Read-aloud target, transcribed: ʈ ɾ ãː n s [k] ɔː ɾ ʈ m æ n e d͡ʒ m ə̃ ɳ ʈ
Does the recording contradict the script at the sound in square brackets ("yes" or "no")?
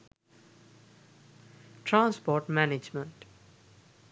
yes